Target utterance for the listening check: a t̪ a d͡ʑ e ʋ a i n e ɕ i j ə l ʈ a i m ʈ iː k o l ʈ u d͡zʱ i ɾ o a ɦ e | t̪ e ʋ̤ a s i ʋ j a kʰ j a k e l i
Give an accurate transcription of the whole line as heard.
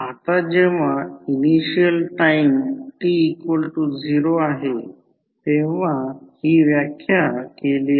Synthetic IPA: a t̪ a d͡ʑ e ʋ a i n i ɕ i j ə l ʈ a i m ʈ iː k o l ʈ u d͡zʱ i ɾ o a ɦ e | t̪ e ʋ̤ a h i ʋ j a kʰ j a k e l i